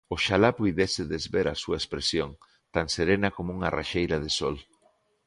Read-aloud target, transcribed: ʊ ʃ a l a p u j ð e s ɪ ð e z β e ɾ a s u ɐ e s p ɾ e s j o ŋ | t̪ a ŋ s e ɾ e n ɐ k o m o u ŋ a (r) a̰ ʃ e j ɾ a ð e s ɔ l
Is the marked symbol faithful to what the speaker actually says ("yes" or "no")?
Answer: yes